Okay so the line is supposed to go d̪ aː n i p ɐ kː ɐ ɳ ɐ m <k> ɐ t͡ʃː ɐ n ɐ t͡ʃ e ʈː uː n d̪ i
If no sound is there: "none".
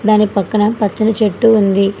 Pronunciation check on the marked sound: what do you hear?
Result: p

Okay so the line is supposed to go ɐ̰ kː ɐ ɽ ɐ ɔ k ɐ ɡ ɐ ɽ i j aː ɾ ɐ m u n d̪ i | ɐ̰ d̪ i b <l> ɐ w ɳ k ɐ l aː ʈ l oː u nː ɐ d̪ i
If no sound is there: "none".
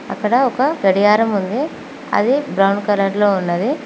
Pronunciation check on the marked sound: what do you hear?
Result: ɾ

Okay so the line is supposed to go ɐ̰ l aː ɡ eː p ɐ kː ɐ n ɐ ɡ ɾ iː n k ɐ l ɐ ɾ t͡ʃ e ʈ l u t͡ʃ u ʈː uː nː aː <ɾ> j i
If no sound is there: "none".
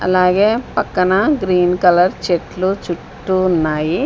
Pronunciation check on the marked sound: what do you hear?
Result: none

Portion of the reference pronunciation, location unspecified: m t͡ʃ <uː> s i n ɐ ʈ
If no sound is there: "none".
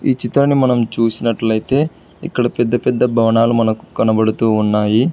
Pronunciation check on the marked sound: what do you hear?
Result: uː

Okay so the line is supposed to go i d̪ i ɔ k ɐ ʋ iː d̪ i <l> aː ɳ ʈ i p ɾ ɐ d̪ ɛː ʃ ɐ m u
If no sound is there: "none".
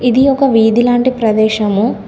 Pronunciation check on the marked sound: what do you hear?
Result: l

